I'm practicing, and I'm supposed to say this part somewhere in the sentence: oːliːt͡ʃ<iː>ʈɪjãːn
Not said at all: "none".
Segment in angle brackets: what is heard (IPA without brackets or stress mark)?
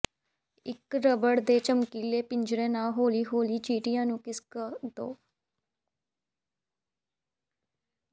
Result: iː